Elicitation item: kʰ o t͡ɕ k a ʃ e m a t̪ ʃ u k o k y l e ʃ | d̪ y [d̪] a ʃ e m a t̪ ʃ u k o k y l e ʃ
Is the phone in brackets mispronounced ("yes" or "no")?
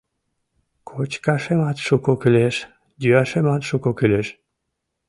yes